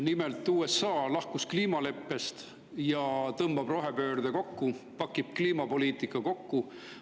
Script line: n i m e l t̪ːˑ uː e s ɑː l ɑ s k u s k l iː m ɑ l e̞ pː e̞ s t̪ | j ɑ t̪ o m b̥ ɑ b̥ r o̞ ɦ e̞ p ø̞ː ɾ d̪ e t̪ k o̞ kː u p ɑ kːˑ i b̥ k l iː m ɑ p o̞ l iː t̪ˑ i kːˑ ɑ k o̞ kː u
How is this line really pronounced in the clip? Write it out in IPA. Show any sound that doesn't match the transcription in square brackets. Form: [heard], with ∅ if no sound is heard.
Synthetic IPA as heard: n i m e l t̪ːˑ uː e s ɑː l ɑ [h] k u s k l iː m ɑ l e̞ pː e̞ s t̪ | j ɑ t̪ [ɤ] m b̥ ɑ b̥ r o̞ ɦ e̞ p ø̞ː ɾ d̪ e [∅] k o̞ kː u p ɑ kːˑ i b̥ k l iː m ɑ p o̞ l iː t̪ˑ i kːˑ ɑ k o̞ kː u